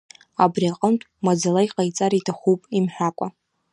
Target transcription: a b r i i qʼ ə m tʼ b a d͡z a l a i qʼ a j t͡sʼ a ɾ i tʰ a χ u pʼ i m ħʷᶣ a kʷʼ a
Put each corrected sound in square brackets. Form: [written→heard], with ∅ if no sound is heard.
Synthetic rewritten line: a b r i [i→a] qʼ ə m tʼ [b→m] a d͡z a l a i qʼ a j t͡sʼ a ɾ i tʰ a χ u pʼ i m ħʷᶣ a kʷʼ a